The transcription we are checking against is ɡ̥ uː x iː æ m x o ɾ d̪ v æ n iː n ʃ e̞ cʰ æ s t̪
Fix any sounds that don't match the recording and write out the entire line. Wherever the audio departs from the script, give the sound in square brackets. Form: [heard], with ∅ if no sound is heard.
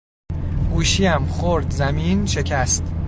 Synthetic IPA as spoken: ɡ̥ uː [ʃ] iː æ m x o ɾ d̪ [z] æ [m] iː n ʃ e̞ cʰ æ s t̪